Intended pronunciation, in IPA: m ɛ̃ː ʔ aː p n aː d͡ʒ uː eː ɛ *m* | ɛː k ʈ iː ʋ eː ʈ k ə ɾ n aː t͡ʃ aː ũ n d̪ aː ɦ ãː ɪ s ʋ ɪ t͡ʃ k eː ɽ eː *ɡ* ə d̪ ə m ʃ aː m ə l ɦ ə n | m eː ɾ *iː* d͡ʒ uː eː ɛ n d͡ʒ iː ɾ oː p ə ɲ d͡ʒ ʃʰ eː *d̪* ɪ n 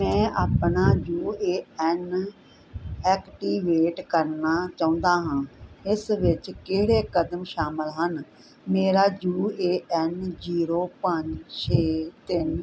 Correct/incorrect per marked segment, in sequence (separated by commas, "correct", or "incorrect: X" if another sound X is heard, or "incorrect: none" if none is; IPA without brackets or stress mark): incorrect: n, incorrect: k, incorrect: aː, incorrect: t̪